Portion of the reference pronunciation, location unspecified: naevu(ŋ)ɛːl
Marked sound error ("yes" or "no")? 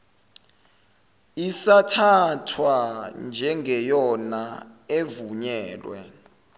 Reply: yes